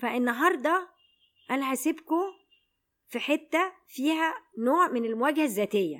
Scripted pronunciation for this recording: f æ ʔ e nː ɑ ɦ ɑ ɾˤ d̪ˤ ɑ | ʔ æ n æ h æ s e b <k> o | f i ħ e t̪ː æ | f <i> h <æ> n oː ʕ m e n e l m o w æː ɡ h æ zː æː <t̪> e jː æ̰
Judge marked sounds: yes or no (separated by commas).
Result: yes, no, yes, yes